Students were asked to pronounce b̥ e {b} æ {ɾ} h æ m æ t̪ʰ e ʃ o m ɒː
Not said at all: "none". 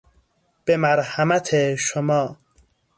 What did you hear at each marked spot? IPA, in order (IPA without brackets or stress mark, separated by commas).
m, ɾ